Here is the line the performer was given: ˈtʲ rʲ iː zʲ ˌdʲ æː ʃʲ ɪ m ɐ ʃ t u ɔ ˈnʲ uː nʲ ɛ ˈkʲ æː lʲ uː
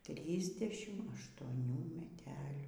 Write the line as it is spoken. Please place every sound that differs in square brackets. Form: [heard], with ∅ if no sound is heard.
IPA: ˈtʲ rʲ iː zʲ ˌdʲ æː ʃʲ ɪ m ɐ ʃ t u ɔ ˈnʲ uː [mʲ] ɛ [ˈtʲ] æː lʲ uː